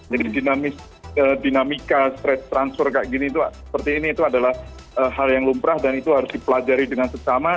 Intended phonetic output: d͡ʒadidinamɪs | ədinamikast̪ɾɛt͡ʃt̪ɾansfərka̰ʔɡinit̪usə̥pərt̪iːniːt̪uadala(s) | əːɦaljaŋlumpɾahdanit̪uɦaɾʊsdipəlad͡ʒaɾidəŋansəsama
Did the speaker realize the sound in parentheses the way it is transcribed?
no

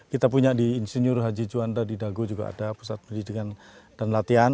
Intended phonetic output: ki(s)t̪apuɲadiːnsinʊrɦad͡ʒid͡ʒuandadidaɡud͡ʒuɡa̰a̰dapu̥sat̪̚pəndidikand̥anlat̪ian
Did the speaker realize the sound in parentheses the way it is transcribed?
no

